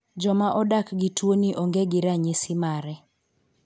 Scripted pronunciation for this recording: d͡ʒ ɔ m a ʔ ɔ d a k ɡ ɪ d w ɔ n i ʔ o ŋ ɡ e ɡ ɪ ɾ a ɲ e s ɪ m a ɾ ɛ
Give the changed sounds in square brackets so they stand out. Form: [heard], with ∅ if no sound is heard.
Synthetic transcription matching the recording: d͡ʒ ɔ m a ʔ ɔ d a k ɡ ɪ [t] w [o] n i ʔ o ŋ ɡ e ɡ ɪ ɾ a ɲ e s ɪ m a ɾ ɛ